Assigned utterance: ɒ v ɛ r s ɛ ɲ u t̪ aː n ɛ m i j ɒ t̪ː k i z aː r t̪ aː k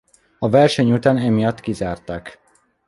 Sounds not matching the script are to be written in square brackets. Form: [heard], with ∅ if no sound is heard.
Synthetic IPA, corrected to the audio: ɒ v ɛ r [ʃ] ɛ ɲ u t̪ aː n ɛ m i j ɒ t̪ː k i z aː r t̪ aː k